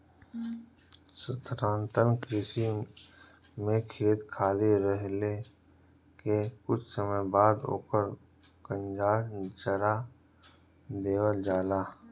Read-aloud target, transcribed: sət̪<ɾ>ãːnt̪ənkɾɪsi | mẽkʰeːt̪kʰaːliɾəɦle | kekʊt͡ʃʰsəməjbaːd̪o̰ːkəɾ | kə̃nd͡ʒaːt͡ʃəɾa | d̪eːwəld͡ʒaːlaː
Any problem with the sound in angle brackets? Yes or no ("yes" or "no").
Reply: no